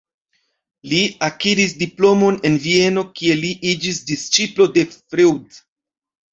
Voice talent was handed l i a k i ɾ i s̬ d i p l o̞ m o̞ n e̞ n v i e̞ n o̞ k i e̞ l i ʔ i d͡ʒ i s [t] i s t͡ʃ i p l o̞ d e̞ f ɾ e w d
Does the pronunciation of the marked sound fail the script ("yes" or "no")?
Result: yes